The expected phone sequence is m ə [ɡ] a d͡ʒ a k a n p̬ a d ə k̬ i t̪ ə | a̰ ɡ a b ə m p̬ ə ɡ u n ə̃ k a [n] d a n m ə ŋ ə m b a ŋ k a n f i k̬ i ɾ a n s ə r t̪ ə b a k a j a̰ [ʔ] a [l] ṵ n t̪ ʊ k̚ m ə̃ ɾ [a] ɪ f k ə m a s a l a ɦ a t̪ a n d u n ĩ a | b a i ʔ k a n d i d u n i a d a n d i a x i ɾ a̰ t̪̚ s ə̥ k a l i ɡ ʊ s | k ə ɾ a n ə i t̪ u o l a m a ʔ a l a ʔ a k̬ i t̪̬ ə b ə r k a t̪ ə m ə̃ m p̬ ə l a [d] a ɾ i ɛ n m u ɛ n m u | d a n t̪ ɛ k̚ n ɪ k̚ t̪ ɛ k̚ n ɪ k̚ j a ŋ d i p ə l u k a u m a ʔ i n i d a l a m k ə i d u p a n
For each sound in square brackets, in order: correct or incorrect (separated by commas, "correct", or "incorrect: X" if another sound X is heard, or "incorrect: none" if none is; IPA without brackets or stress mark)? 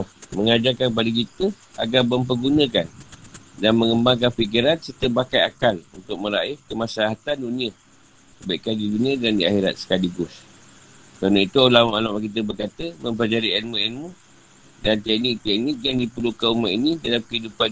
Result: incorrect: ŋ, correct, incorrect: k, correct, correct, incorrect: d͡ʒ